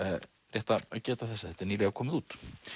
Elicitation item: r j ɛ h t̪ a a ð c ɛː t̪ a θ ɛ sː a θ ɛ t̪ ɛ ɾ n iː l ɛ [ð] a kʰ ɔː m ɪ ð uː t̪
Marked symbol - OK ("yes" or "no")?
no